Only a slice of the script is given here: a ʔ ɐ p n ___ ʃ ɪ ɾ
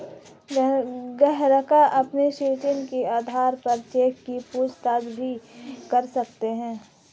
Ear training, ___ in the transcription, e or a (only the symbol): e